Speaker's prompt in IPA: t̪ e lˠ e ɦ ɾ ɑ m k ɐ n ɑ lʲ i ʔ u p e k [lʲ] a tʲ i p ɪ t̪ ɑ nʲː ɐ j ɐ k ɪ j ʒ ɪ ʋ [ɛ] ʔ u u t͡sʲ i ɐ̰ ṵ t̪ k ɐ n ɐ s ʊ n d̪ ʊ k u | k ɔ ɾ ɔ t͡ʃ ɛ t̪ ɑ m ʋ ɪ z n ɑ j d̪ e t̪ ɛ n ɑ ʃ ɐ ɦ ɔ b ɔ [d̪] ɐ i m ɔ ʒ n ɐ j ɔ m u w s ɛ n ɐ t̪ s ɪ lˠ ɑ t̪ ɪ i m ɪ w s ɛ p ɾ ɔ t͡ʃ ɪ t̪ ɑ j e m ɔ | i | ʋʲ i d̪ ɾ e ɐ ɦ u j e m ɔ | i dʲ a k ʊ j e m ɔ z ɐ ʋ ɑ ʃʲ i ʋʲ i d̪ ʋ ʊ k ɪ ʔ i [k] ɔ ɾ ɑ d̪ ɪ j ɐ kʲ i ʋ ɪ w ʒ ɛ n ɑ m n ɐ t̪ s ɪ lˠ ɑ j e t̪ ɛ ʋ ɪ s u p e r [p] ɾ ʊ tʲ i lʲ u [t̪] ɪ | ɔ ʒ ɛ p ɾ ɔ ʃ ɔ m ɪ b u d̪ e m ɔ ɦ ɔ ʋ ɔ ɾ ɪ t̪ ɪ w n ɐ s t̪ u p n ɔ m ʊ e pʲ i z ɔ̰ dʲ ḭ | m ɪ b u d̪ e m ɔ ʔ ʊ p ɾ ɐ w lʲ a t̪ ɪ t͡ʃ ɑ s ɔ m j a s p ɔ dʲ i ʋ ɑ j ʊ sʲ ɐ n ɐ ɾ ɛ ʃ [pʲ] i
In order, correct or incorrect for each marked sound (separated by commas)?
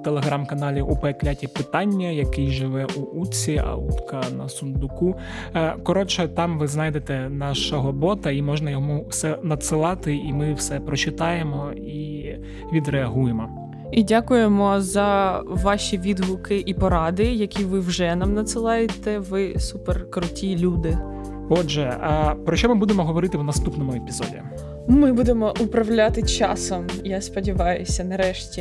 correct, correct, incorrect, incorrect, incorrect, incorrect, incorrect